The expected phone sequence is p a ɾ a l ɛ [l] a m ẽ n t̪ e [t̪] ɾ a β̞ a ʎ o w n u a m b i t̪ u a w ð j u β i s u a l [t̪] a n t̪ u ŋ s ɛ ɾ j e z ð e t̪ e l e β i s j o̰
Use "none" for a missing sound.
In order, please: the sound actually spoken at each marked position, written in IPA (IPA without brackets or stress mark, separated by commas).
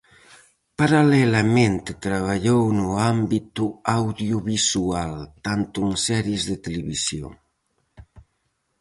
l, t̪, t̪